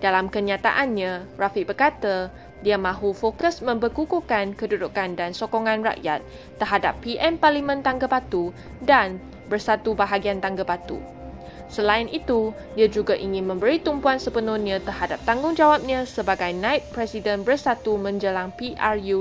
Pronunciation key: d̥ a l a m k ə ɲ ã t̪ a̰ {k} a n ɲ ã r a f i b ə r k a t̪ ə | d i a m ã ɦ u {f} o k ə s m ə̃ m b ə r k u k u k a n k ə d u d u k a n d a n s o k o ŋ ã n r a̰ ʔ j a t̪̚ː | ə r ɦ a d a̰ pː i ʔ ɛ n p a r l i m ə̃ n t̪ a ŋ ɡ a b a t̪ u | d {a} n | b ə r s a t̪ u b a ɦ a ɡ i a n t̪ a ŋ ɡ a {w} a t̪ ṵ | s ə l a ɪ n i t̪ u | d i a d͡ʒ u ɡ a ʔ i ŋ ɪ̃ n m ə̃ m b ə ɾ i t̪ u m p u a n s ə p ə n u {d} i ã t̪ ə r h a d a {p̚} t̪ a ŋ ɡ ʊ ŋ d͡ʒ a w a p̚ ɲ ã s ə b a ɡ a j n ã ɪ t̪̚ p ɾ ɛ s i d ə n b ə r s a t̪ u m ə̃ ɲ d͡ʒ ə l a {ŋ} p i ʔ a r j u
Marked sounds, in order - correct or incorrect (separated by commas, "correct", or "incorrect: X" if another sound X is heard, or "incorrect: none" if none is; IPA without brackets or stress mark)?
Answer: incorrect: ʔ, correct, correct, incorrect: b, incorrect: n, correct, correct